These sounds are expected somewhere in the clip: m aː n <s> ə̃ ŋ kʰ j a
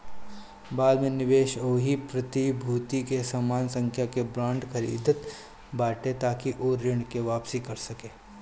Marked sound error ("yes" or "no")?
no